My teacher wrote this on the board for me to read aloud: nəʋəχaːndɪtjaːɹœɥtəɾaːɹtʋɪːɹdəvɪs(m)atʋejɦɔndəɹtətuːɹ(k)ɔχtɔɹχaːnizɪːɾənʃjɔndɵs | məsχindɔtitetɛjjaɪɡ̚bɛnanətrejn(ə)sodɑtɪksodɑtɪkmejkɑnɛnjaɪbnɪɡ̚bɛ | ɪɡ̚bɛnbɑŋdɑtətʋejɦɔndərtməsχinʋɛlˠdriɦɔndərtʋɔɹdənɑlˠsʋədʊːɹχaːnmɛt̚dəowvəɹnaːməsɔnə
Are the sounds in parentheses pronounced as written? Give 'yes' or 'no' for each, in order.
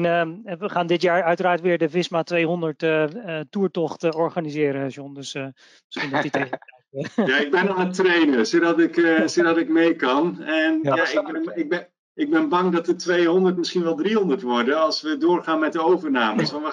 yes, no, yes

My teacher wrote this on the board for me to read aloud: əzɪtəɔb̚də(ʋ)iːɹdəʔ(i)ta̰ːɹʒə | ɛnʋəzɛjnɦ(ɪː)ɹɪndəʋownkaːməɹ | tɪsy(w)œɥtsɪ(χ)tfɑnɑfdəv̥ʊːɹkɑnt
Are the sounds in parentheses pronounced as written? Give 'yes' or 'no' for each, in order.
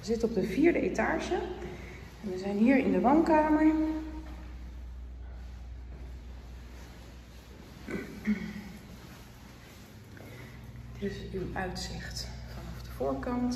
no, no, no, yes, yes

